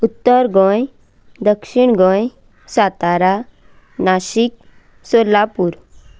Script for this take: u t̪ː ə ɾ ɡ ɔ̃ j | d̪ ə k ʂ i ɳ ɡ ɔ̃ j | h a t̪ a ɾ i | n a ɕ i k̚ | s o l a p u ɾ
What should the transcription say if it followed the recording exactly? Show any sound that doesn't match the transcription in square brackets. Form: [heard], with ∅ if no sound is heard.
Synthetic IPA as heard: u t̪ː ə ɾ ɡ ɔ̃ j | d̪ ə k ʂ i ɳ ɡ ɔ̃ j | [s] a t̪ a ɾ [a] | n a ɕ i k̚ | s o l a p u ɾ